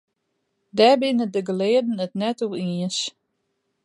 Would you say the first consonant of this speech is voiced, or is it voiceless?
voiced